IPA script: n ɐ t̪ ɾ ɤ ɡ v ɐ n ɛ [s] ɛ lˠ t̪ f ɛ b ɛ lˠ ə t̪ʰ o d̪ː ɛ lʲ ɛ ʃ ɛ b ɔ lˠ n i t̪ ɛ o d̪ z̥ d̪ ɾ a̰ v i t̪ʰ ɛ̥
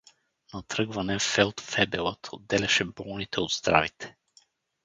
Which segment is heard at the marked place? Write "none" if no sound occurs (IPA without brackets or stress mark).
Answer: f